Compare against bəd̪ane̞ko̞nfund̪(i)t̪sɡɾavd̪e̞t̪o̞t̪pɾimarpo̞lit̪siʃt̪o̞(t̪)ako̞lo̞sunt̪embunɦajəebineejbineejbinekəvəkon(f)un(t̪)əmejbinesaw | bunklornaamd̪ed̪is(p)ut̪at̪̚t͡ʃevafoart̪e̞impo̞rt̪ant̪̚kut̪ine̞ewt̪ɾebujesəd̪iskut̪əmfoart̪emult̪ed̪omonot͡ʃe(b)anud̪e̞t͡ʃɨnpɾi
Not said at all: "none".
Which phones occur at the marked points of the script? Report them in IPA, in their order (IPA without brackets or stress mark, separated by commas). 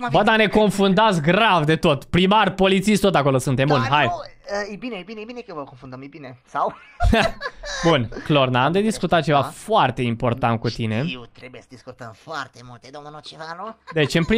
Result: a, t̪, f, d̪, k, v